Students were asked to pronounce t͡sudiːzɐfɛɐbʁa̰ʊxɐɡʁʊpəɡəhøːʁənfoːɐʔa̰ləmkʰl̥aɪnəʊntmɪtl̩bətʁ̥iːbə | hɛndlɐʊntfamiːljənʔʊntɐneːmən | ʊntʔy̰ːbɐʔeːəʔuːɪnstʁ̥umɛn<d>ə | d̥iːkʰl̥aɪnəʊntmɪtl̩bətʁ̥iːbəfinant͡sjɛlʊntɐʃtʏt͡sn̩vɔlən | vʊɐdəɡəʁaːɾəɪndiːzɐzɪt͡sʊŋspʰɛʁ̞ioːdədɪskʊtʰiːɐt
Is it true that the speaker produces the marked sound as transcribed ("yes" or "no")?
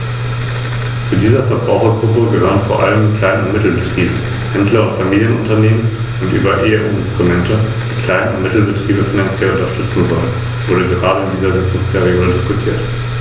no